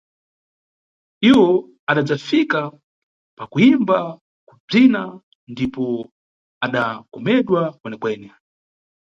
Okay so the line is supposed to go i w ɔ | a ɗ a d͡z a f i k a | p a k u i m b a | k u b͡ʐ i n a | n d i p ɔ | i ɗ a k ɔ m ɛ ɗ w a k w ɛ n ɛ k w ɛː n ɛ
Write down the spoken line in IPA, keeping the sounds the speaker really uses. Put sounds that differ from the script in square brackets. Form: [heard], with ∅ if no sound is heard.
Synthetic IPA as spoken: i w ɔ | a ɗ a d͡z a f i k a | p a k u i m b a | k u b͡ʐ i n a | n d i p ɔ | [a] ɗ a k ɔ m ɛ ɗ w a k w ɛ n ɛ k w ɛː n ɛ